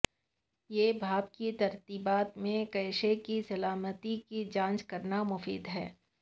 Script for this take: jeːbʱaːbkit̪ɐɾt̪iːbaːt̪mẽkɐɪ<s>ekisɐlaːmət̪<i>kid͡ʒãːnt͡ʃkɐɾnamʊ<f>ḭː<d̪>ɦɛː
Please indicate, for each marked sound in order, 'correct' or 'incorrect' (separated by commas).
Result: incorrect, correct, correct, correct